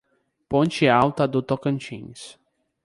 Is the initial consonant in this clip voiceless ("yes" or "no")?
yes